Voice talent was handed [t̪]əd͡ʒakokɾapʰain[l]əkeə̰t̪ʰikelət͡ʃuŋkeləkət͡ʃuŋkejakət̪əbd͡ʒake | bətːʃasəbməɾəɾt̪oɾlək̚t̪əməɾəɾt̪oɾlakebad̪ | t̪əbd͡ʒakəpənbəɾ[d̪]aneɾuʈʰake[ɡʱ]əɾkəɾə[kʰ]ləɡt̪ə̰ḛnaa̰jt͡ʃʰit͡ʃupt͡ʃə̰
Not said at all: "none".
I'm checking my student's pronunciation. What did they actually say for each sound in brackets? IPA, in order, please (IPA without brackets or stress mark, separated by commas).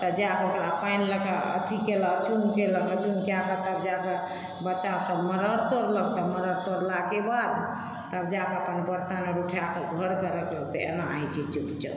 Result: t̪, l, t̪, ɡʱ, k